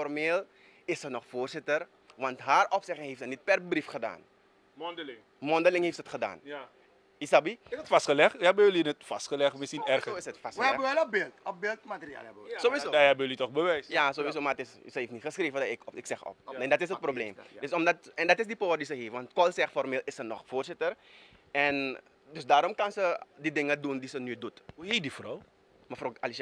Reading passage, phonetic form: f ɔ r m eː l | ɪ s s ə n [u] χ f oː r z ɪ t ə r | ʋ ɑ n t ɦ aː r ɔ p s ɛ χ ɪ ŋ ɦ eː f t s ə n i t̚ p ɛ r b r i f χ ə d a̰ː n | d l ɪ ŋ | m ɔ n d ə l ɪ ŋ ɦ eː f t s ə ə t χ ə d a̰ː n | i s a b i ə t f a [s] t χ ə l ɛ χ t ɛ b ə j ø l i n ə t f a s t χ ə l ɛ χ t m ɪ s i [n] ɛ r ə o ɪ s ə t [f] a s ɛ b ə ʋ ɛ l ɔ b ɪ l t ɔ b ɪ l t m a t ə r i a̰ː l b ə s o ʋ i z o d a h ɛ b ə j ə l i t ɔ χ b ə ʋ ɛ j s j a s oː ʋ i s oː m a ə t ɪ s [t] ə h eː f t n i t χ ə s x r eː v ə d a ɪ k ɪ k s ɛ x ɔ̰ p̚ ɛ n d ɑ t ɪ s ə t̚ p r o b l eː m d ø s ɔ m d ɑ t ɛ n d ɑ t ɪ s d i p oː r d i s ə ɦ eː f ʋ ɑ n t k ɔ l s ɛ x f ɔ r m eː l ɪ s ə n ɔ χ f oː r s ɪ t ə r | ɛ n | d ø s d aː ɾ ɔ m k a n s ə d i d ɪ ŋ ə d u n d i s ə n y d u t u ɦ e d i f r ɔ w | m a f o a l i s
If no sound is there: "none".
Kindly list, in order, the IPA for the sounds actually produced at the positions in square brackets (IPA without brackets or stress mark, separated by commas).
ɔ, s, n, f, s